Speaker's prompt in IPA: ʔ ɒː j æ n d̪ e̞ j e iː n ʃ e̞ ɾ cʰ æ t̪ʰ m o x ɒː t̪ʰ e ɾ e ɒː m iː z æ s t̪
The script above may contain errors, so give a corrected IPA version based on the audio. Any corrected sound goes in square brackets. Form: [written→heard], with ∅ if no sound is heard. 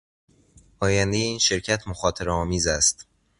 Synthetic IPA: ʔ ɒː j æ n d̪ e̞ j e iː n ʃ e̞ ɾ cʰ æ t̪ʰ m o x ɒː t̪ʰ e ɾ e ɒː m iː z æ s t̪